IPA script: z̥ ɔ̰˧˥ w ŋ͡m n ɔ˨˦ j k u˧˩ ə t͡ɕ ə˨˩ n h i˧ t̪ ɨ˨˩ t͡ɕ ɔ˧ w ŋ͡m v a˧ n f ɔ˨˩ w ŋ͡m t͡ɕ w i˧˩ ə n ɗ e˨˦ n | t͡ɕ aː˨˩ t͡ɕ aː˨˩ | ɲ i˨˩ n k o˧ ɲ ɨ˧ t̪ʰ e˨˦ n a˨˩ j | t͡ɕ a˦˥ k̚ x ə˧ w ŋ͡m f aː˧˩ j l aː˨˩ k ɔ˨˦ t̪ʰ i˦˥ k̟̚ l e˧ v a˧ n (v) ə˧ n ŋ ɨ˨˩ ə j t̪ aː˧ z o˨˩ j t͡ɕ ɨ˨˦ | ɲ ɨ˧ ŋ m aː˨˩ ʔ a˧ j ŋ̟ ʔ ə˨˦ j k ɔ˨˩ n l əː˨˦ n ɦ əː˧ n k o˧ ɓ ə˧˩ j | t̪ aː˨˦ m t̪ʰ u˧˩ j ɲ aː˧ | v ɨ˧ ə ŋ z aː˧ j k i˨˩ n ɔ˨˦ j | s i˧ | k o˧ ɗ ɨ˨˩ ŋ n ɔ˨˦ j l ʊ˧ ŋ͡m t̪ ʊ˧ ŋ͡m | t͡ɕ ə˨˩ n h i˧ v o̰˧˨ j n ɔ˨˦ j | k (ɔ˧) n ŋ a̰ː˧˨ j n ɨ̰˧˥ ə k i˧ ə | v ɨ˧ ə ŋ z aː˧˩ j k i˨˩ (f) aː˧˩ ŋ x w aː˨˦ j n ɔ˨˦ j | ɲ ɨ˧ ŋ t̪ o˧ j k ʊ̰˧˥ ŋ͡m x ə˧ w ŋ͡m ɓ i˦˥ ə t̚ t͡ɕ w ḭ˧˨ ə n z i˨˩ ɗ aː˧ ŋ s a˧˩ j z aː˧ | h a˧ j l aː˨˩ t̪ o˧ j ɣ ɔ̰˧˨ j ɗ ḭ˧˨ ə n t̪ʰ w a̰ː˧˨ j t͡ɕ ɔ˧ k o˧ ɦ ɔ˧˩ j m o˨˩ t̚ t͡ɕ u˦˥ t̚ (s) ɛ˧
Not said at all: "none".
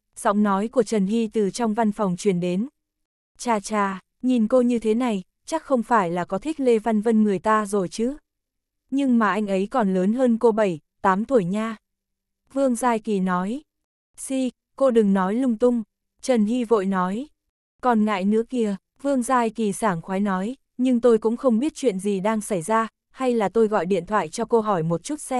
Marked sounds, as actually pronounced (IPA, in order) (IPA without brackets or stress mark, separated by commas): v, ɔ˨˩, s, s